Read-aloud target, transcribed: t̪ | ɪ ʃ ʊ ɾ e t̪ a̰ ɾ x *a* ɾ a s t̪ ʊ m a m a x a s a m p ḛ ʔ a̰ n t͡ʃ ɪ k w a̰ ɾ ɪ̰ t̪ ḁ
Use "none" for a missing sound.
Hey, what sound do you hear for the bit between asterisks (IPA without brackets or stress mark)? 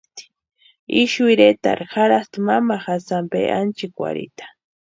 a